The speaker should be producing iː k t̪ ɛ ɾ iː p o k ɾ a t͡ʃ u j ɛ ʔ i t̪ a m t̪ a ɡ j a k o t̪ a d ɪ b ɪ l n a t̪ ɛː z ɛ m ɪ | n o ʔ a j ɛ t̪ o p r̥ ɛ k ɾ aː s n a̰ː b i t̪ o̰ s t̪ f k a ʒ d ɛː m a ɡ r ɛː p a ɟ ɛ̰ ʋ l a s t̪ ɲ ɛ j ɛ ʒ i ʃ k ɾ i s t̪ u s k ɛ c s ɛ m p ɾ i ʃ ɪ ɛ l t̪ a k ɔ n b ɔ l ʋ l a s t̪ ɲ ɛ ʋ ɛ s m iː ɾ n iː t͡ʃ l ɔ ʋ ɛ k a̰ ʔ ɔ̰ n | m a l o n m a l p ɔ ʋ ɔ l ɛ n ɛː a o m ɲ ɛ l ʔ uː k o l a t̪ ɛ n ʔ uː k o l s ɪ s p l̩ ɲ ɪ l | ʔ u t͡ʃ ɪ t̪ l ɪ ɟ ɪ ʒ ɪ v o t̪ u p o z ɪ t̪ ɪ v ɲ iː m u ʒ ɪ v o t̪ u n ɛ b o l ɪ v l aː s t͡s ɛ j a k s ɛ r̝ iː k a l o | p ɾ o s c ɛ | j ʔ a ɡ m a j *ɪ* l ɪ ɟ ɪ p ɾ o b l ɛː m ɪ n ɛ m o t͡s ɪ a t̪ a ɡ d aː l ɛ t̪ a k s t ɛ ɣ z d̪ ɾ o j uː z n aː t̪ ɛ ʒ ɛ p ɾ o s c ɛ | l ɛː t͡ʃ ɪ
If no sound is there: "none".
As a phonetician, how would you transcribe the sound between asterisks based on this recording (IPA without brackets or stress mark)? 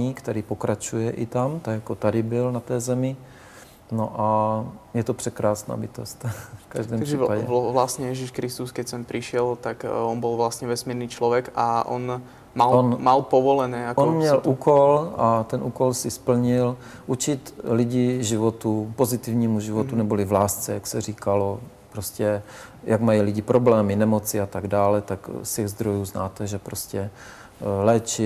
i